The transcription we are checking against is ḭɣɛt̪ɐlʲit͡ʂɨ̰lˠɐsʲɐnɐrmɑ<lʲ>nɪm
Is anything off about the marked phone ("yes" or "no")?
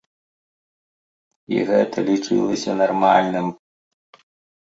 no